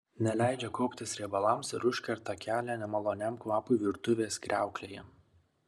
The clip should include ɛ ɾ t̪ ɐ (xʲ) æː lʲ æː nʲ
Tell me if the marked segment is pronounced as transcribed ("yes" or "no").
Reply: no